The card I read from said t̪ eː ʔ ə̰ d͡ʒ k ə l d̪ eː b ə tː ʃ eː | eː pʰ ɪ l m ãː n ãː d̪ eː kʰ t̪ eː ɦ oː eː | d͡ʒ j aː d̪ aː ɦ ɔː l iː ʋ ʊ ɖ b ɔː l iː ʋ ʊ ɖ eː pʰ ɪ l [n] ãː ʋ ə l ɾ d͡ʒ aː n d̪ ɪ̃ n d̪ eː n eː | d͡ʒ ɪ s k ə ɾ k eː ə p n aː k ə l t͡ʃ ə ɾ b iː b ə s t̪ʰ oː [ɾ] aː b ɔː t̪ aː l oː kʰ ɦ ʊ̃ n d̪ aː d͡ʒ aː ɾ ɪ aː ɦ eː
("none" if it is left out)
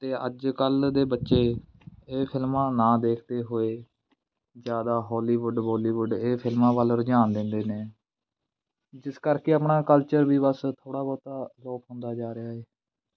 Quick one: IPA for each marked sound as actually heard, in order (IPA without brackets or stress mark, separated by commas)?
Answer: m, ɽ